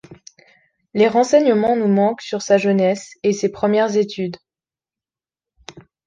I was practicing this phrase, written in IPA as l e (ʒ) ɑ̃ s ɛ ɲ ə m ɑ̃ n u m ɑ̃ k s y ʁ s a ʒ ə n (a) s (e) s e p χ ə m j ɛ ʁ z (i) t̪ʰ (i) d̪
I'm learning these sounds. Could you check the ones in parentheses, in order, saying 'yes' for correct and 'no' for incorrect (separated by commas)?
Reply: no, no, yes, no, no